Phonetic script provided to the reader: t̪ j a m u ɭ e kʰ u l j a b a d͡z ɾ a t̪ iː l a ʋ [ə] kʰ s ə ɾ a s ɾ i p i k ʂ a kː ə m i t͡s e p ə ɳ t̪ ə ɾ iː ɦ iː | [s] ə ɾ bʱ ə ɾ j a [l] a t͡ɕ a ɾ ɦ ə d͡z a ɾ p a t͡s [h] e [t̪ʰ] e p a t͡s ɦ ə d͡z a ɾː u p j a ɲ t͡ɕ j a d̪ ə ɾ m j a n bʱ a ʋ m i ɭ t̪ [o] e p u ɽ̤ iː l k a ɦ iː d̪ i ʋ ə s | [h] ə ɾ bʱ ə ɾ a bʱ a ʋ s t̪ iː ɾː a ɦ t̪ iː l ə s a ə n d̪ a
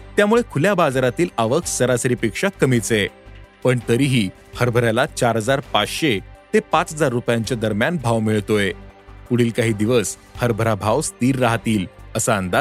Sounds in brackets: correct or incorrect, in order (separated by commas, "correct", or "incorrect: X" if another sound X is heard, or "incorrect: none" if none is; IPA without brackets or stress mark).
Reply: correct, incorrect: h, correct, incorrect: ɕ, incorrect: t̪, correct, correct